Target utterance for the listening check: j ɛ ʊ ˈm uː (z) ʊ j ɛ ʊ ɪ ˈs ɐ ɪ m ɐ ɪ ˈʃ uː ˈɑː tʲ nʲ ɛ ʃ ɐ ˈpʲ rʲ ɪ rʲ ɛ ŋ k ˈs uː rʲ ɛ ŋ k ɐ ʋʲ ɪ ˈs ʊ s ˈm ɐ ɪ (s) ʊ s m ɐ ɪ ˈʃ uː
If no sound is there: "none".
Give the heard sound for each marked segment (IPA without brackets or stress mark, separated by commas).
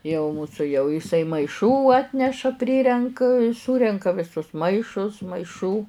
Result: s, ʃ